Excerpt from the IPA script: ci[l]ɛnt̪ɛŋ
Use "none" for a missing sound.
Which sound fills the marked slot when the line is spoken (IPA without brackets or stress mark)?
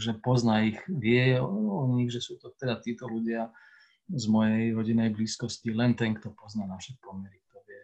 l